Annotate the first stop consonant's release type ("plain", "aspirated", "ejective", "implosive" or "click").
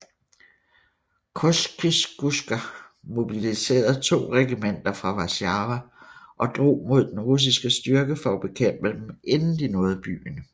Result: aspirated